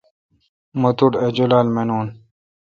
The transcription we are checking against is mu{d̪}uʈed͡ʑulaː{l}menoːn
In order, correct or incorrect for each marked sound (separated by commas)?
incorrect, correct